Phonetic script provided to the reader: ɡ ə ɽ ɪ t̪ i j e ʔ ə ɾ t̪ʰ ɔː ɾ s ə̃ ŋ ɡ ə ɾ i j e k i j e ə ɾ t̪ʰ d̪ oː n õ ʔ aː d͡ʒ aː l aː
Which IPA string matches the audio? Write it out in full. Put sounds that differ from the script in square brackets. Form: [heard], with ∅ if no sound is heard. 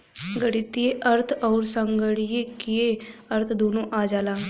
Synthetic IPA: ɡ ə ɽ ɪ t̪ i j e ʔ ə ɾ t̪ʰ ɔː ɾ s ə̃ ŋ ɡ ə [ɽ] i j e k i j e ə ɾ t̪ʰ d̪ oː n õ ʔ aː d͡ʒ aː l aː